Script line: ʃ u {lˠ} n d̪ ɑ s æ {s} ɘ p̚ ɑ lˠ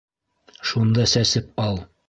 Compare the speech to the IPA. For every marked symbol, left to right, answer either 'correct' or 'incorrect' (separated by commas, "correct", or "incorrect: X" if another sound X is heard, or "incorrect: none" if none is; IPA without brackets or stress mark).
incorrect: none, correct